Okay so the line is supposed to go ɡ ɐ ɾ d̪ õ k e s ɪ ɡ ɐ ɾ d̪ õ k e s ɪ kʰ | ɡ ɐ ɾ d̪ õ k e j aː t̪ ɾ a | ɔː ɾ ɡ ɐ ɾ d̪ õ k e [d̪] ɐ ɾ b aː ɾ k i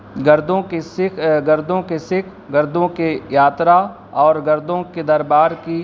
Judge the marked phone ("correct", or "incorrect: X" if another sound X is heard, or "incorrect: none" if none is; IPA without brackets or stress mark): correct